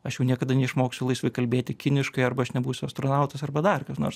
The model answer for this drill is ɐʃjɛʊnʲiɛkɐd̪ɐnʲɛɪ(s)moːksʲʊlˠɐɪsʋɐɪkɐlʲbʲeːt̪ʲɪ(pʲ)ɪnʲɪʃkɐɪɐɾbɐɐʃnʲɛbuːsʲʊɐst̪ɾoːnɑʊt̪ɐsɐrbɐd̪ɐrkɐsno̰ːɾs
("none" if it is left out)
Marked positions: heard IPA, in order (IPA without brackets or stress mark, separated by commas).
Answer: ʃ, kʲ